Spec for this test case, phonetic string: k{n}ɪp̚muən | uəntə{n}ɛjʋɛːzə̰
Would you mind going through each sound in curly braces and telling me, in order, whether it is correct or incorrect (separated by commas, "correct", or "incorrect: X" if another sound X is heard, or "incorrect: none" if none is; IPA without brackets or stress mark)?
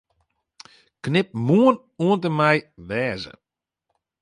correct, incorrect: m